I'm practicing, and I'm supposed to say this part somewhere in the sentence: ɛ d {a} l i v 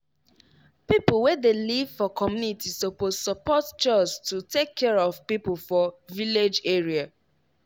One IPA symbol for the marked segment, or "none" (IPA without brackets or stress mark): e